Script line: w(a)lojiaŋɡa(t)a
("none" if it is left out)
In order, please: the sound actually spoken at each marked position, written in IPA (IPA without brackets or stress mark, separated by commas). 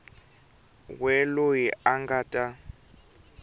ɛ, tʼ